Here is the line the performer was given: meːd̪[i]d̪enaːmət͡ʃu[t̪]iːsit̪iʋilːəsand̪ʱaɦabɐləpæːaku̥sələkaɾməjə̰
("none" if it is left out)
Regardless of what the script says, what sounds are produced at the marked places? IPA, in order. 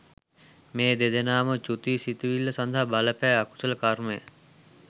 e, t̪

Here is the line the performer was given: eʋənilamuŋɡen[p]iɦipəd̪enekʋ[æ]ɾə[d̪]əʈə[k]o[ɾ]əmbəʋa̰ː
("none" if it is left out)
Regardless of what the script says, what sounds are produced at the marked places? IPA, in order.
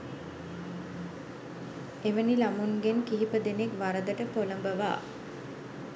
k, a, d̪, p, l

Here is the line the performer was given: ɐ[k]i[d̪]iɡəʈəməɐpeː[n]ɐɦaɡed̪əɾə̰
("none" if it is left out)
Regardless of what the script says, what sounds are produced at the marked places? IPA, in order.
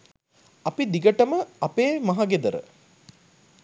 p, d̪, m

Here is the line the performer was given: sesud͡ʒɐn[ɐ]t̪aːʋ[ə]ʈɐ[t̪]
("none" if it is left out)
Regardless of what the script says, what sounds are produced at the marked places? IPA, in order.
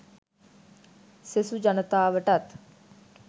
ə, ə, t̪

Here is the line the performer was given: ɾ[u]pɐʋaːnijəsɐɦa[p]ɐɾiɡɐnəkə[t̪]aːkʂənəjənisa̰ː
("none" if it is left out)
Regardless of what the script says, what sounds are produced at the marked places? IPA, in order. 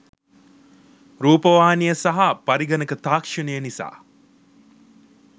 uː, p, t̪

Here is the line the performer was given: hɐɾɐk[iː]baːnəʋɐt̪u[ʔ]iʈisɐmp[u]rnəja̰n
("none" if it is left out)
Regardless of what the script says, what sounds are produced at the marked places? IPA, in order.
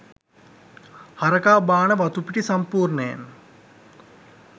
aː, p, uː

